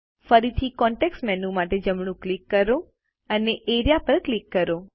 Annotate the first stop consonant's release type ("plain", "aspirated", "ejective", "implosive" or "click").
aspirated